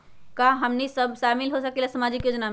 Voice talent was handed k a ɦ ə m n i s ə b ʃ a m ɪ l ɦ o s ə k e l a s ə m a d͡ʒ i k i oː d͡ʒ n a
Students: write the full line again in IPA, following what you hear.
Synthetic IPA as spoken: k a ɦ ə m n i s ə b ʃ a m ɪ l ɦ o s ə k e l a s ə m a d͡ʒ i k j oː d͡ʒ n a